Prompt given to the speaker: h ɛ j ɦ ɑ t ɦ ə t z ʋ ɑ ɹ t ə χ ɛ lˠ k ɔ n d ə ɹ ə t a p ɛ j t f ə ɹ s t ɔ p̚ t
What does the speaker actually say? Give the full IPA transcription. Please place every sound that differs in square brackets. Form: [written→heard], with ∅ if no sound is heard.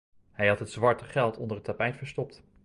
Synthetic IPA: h ɛ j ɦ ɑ t ɦ ə t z ʋ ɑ ɹ t ə χ ɛ lˠ [k→t] ɔ n d ə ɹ ə t a p ɛ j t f ə ɹ s t ɔ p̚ t